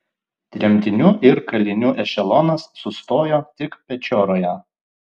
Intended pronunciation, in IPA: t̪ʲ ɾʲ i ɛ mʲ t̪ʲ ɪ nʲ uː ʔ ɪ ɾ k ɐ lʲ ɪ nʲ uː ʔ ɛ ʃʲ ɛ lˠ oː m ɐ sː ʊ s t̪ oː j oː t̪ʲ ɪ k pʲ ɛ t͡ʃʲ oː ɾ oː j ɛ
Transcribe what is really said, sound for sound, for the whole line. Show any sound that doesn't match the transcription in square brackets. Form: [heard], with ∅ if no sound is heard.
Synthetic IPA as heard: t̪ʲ ɾʲ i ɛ mʲ t̪ʲ ɪ nʲ uː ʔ ɪ ɾ k ɐ lʲ ɪ nʲ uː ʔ ɛ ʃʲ ɛ lˠ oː [n] ɐ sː ʊ s t̪ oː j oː t̪ʲ ɪ k pʲ ɛ t͡ʃʲ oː ɾ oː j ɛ